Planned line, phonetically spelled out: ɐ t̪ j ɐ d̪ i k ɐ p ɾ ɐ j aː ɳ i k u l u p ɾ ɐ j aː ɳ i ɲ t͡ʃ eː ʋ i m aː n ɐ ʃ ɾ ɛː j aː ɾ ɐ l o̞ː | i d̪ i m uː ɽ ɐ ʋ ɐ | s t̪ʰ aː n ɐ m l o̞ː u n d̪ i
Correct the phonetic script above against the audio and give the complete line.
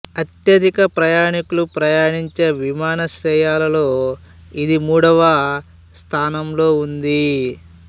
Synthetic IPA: ɐ t̪ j ɐ d̪ i k ɐ p ɾ ɐ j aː ɳ i k u l u p ɾ ɐ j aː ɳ i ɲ t͡ʃ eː ʋ i m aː n ɐ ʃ ɾ ɛː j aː l ɐ l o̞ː | i d̪ i m uː ɽ ɐ ʋ ɐ | s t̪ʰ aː n ɐ m l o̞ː u n d̪ i